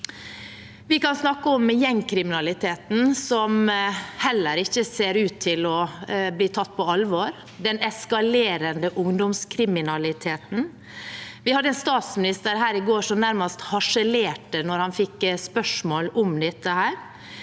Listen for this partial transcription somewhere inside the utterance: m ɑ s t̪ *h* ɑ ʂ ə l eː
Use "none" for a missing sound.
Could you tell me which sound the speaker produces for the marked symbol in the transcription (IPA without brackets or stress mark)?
h